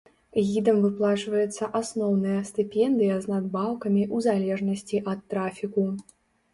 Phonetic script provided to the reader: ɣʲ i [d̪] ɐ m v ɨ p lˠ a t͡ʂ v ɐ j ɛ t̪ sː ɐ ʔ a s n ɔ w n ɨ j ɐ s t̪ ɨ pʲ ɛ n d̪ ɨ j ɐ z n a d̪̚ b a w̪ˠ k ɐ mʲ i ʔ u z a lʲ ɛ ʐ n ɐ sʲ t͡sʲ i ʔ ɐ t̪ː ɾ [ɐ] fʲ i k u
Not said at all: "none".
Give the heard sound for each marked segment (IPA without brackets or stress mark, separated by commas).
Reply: d̪, a